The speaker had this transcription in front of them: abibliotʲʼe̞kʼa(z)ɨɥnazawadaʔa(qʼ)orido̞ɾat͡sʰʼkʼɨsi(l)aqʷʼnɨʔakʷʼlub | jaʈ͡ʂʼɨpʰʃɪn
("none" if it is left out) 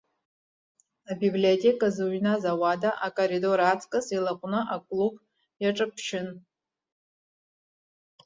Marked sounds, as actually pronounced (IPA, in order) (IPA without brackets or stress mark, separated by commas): z, kʼ, l